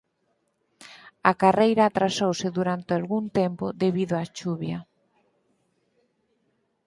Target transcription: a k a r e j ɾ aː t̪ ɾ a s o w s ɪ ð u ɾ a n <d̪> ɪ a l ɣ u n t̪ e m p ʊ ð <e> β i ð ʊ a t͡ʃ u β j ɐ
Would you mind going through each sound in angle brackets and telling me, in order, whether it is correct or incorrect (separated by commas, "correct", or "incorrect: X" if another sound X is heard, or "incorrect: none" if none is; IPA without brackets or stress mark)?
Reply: incorrect: t̪, correct